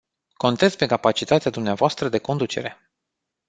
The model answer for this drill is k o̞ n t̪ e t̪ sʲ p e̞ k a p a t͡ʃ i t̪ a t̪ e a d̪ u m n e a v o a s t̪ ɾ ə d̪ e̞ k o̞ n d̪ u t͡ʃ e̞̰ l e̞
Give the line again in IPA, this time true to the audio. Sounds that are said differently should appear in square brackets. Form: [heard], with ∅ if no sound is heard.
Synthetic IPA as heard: k o̞ n t̪ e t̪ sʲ p e̞ k a p a t͡ʃ i t̪ a t̪ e a d̪ u m n e a v o a s t̪ ɾ ə d̪ e̞ k o̞ n d̪ u t͡ʃ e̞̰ [ɾ] e̞

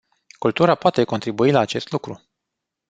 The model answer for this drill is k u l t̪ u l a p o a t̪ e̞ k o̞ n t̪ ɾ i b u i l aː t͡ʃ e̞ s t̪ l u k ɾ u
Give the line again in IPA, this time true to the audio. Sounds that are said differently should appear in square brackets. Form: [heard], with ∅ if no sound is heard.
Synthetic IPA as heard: k u l t̪ u [ɾ] a p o a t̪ e̞ k o̞ n t̪ ɾ i b u i l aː t͡ʃ e̞ s t̪ l u k ɾ u

